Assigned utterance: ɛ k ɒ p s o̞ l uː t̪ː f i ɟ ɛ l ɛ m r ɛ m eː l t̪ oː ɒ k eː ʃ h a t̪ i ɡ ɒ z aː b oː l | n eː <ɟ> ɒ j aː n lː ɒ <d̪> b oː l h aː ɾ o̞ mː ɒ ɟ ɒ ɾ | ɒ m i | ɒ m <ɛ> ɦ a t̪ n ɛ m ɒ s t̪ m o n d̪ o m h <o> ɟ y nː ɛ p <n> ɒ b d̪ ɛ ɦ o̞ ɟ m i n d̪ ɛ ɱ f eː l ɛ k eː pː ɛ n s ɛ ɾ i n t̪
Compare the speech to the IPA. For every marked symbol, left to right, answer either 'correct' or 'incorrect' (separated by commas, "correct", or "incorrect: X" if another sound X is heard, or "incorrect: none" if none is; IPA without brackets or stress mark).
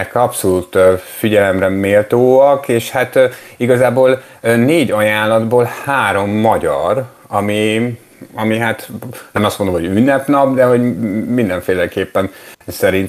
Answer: correct, correct, incorrect: i, correct, correct